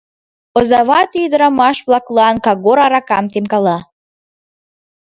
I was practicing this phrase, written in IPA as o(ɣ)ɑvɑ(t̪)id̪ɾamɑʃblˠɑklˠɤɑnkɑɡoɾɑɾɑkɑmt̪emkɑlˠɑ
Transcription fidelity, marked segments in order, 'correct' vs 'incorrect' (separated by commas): incorrect, correct